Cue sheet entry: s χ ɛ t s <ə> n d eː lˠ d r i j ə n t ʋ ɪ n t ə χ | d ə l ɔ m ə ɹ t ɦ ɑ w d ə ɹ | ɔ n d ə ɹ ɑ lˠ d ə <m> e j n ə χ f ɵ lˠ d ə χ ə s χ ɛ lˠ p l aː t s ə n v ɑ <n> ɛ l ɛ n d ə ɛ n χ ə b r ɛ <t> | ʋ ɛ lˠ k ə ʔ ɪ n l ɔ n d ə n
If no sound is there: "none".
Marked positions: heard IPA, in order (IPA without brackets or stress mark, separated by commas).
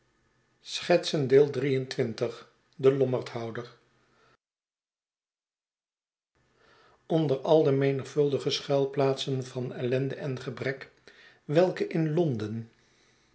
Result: ə, m, n, k